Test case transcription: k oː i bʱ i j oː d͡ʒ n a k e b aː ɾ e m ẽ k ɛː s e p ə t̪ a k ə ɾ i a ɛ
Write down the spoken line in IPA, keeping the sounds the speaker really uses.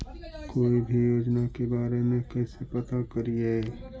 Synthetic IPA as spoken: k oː i bʱ i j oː d͡ʒ n a k e b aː ɾ e m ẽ k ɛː s e p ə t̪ a k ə ɾ i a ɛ

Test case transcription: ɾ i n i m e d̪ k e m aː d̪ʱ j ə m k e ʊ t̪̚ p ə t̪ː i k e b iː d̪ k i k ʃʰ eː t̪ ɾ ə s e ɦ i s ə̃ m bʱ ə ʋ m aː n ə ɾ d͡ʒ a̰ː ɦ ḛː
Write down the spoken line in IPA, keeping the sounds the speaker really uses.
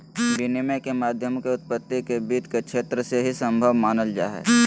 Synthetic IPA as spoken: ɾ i n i m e k e m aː d̪ʱ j ə m k e ʊ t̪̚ p ə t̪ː i k e b iː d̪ k e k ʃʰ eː t̪ ɾ ə s e ɦ i s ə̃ m bʱ ə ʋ m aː n ə l d͡ʒ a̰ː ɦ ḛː

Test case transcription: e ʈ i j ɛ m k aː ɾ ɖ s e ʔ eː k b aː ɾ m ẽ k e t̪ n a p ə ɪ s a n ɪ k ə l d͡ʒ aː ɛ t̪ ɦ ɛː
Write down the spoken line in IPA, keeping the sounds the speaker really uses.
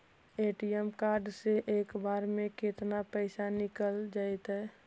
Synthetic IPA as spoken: e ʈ i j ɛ m k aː ɾ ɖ s e ʔ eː k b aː ɾ m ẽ k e t̪ n a p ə ɪ s a n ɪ k ə l d͡ʒ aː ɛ t̪ ɦ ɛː

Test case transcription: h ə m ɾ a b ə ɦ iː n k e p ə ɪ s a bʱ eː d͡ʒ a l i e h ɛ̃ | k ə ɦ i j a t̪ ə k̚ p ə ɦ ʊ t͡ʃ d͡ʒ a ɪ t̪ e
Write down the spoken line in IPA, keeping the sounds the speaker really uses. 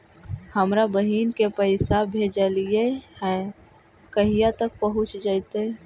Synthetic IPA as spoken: h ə m ɾ a b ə ɦ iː n k e p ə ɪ s a bʱ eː d͡ʒ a l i e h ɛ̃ | k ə ɦ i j a t̪ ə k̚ p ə ɦ ʊ t͡ʃ d͡ʒ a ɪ t̪ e

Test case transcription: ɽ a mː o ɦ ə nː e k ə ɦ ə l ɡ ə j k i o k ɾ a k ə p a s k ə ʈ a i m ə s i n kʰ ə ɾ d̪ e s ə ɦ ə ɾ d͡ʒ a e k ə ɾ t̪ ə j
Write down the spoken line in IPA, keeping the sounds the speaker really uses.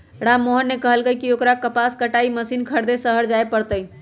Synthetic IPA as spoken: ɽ a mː o ɦ ə nː e k ə ɦ ə l ɡ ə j k i o k ɾ a k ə p a s k ə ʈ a i m ə s i n kʰ ə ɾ d̪ e s ə ɦ ə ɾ d͡ʒ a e p ə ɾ t̪ ə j

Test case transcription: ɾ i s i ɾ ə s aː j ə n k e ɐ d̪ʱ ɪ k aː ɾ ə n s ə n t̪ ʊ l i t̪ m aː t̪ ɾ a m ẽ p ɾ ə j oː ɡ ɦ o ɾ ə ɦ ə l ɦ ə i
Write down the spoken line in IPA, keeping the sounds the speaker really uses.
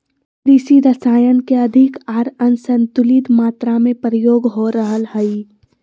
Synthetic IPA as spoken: ɾ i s i ɾ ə s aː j ə n k e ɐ d̪ʱ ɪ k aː ɾ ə n s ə n t̪ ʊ l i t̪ m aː t̪ ɾ a m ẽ p ɾ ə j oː ɡ ɦ o ɾ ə ɦ ə l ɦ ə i

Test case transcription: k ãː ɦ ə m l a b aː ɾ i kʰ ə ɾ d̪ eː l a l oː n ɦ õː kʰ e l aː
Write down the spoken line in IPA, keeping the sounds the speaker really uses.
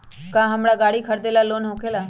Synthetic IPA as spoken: k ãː ɦ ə m ɽ a ɡ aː ɽ i kʰ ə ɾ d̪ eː l a l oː n ɦ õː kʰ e l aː

